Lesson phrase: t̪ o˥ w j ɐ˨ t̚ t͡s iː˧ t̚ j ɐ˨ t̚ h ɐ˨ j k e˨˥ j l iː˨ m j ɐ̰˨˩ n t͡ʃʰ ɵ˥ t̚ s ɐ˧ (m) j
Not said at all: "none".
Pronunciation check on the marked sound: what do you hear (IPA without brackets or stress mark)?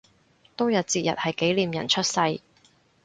none